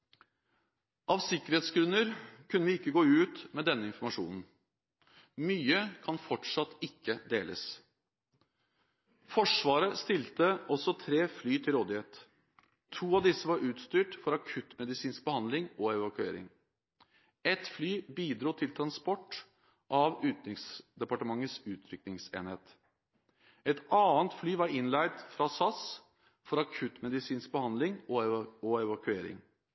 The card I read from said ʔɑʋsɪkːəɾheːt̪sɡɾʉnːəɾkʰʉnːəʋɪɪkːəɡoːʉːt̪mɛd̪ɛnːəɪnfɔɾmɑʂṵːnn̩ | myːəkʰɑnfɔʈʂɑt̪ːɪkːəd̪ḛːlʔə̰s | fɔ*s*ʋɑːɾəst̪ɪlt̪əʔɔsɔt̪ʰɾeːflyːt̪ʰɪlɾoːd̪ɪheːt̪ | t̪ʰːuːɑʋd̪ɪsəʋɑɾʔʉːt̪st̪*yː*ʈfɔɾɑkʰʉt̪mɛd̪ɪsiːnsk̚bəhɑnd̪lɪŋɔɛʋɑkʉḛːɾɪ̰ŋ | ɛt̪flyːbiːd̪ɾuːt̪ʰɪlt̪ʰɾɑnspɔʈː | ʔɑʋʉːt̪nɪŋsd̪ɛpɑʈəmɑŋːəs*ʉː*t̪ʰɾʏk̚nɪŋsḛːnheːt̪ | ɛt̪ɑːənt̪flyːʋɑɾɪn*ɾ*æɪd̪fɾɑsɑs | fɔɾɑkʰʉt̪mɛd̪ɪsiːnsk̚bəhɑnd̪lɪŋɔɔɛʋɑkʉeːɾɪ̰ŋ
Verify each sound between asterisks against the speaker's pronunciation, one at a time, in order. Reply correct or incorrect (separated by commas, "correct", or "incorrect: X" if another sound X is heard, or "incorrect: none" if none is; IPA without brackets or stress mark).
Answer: incorrect: ʂ, correct, correct, incorrect: l